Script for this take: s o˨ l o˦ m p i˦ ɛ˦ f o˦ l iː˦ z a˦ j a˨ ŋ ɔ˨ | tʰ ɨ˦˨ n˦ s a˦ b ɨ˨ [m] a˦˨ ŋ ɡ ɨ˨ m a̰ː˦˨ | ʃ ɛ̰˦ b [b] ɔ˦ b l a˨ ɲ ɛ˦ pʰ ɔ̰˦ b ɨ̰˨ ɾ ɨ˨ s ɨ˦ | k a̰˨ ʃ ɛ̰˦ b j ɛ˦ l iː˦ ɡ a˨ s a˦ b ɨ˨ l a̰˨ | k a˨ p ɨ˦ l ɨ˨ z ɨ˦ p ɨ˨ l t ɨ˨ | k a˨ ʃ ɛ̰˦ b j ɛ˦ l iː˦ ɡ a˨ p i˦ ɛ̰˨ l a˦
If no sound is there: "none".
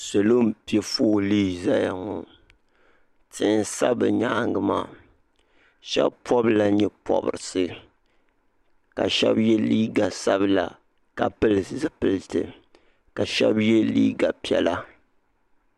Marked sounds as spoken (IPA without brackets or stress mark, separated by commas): ɲ, p